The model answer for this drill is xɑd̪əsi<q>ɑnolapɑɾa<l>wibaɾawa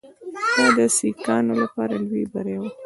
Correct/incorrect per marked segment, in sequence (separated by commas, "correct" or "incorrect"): incorrect, correct